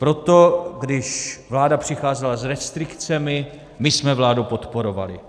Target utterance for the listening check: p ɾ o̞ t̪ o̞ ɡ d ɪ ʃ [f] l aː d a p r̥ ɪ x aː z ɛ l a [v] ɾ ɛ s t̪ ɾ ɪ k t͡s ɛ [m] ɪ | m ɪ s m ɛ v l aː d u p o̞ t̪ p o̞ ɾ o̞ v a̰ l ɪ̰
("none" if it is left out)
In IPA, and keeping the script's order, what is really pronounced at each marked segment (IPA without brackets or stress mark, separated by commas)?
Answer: v, z, m